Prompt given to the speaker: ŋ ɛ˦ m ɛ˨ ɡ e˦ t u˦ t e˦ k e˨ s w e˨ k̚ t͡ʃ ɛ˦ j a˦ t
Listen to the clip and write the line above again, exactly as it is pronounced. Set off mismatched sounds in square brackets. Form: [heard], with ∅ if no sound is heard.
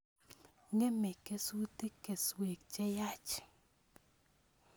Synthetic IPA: ŋ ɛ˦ m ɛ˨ [k] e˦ [s] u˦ t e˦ k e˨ s w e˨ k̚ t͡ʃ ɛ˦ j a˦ [t͡ʃ]